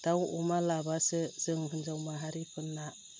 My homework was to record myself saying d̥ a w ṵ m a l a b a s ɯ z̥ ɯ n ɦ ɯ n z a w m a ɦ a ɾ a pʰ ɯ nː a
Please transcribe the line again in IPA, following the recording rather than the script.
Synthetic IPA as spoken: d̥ a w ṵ m a l a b a s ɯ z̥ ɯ ŋ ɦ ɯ n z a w m a ɦ a ɾ i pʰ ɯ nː a